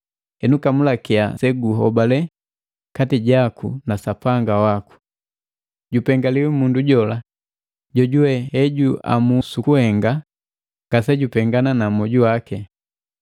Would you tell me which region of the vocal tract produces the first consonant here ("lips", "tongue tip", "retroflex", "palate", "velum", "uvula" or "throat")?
tongue tip